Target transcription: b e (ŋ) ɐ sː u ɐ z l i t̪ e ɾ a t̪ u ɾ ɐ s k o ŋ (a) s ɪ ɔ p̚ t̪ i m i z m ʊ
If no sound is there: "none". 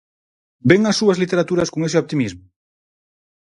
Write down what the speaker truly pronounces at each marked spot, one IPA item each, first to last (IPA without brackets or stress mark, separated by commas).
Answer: ŋ, e